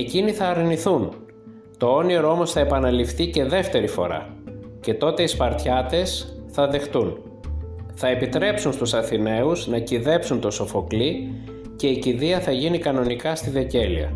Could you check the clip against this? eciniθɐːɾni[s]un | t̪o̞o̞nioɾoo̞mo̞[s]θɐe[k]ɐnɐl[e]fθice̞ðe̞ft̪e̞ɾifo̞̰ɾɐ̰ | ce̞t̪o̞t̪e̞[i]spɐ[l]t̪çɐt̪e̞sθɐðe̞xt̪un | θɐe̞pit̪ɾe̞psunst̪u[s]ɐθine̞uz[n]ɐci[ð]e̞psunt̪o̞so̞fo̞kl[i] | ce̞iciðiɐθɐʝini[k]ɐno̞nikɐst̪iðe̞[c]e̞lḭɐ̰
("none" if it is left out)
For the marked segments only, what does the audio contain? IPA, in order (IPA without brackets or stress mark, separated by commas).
θ, s, p, i, i, ɾ, s, n, ð, i, k, c